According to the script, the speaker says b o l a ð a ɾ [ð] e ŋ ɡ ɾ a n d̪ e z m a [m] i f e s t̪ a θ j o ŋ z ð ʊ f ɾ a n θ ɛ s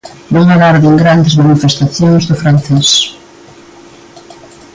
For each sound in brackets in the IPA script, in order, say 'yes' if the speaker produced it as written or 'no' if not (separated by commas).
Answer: yes, no